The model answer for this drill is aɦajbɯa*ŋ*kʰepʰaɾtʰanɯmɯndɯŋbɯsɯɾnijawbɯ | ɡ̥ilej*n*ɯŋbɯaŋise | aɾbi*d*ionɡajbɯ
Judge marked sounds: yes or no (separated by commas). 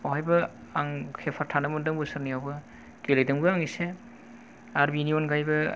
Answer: yes, no, no